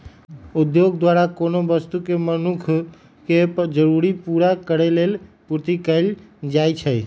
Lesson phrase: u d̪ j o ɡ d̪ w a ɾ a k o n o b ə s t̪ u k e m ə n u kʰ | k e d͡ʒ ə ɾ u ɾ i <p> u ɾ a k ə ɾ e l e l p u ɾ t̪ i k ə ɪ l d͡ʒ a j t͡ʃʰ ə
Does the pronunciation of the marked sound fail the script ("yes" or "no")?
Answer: no